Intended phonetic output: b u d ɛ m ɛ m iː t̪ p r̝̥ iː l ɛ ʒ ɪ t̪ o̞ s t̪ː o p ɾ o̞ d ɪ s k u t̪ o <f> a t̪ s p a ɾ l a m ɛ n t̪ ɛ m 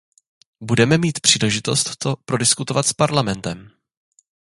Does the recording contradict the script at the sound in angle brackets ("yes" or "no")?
yes